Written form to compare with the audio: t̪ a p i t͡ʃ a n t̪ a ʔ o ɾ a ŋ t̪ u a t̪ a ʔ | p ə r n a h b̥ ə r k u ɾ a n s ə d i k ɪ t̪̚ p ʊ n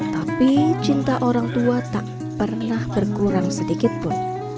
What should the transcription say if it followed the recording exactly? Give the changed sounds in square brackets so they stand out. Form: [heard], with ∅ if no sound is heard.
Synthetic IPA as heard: t̪ a p i t͡ʃ [i] n t̪ a ʔ o ɾ a ŋ t̪ u a t̪ a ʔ | p ə r n a h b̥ ə r k u ɾ a [ŋ] s ə d i k ɪ t̪̚ p ʊ n